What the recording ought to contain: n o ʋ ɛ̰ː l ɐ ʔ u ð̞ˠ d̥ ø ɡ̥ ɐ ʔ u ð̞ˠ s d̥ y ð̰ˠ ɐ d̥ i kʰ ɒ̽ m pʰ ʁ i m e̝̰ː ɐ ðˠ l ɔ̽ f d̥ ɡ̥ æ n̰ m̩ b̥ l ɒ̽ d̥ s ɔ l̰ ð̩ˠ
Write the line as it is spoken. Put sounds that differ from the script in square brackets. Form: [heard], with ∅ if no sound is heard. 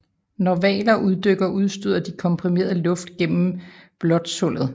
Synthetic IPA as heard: n [ɒ] ʋ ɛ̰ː l ɐ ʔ u ð̞ˠ d̥ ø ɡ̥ ɐ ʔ u ð̞ˠ s d̥ y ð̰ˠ ɐ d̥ i kʰ ɒ̽ m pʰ ʁ i m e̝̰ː ɐ ðˠ l ɔ̽ f d̥ ɡ̥ [e] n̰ m̩ b̥ l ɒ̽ d̥ s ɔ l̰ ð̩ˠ